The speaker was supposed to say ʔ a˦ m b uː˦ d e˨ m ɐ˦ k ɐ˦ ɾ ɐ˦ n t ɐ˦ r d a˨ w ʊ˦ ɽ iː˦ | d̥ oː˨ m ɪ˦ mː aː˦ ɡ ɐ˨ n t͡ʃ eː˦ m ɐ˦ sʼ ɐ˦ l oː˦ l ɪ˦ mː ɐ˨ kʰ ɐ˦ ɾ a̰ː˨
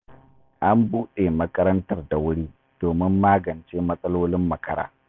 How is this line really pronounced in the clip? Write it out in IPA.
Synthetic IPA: ʔ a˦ m b uː˦ ɗ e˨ m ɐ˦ k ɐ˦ ɾ ɐ˦ n t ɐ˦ r d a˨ w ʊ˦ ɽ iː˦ | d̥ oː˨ m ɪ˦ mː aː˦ ɡ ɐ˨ n t͡ʃ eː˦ m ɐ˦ sʼ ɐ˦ l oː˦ l ɪ˦ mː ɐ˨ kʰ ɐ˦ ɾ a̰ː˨